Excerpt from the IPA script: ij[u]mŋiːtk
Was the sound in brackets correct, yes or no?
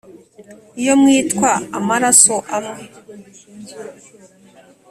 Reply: no